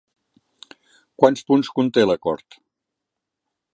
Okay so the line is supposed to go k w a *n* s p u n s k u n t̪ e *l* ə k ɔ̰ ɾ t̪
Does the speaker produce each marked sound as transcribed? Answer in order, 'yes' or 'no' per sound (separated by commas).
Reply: yes, yes